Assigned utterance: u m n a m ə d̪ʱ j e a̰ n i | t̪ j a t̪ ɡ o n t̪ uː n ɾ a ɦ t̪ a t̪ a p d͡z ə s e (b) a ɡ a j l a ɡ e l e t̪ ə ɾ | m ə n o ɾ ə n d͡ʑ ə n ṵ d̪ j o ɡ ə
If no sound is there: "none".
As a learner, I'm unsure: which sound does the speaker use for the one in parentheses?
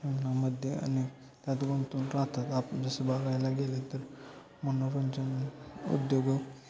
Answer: b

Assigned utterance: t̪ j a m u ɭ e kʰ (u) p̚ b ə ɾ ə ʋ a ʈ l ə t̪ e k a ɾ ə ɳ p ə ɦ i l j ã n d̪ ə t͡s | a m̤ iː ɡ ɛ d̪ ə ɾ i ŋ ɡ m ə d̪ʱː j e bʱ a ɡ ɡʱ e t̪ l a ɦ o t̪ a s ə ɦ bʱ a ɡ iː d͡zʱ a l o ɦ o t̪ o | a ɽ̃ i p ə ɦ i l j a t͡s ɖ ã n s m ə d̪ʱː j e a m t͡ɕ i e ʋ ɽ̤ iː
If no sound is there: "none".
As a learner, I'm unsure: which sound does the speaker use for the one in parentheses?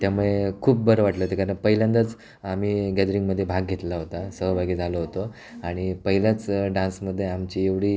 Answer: uː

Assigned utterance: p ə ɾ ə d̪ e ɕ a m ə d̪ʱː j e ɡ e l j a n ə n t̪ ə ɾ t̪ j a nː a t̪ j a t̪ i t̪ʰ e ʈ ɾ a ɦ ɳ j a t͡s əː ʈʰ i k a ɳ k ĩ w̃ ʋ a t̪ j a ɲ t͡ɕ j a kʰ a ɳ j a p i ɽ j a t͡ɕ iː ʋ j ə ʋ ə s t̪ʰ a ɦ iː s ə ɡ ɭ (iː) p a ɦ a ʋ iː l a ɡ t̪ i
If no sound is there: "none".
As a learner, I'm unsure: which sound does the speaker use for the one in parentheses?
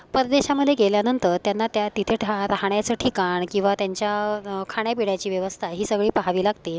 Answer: iː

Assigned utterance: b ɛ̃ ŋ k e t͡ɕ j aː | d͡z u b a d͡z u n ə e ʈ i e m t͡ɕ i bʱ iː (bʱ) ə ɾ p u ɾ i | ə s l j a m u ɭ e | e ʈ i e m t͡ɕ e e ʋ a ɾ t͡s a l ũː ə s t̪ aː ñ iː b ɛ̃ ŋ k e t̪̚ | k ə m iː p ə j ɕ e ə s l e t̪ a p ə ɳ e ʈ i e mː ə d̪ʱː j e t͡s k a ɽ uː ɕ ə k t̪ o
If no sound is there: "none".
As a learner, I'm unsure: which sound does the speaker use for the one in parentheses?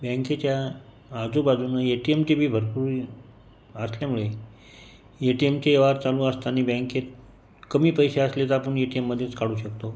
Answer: bʱ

